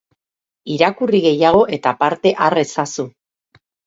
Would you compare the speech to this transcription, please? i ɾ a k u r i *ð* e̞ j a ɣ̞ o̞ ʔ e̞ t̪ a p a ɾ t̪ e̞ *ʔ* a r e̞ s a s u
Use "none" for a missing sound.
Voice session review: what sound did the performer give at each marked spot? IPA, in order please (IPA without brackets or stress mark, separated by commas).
ɣ, ʔ